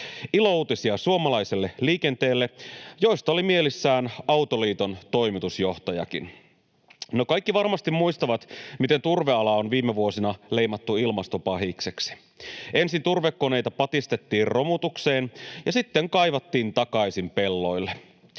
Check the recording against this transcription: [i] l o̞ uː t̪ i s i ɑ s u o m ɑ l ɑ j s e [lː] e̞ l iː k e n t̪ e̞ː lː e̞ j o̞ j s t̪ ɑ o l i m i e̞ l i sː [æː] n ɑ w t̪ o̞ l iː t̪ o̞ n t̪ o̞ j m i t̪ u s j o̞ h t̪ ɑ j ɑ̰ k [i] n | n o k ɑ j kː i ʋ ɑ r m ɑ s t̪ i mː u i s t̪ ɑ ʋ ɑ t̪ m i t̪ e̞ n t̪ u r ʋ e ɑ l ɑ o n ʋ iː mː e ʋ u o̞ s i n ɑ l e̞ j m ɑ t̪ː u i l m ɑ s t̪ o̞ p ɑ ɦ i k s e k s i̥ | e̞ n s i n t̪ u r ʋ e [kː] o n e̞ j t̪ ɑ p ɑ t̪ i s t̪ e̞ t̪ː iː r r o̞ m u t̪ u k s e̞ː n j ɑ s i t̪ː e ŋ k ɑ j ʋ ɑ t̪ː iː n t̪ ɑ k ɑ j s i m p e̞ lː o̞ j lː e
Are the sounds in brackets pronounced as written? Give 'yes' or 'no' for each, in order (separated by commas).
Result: yes, yes, yes, yes, yes